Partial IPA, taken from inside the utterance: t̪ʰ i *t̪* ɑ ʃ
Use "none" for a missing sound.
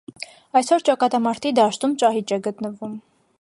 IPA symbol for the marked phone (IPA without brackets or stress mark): d̪